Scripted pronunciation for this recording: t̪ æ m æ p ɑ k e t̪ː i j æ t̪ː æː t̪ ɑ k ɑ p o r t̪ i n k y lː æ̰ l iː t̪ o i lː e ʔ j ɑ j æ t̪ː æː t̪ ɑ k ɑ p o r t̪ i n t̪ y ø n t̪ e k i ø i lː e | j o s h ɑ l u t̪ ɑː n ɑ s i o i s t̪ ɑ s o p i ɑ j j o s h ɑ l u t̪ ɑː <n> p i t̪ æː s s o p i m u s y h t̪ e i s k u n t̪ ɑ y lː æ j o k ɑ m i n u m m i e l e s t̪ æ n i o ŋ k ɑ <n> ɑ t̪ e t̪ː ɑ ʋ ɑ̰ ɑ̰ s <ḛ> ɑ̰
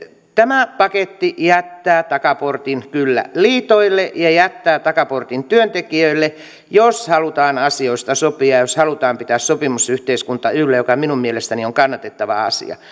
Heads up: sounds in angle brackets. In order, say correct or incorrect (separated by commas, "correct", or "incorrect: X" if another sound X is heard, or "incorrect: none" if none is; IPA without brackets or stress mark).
incorrect: m, incorrect: nː, incorrect: ḭ